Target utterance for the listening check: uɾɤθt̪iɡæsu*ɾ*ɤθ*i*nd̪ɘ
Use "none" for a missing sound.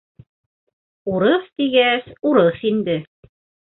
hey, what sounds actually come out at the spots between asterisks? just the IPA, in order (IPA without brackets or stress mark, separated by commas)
ɾ, i